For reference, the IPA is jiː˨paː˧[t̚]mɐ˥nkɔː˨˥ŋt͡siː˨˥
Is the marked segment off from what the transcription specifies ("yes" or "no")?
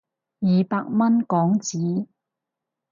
yes